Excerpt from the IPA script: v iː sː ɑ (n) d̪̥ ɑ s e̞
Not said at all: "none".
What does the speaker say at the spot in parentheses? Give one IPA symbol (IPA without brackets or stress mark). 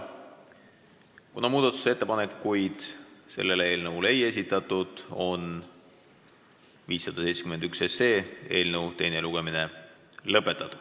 none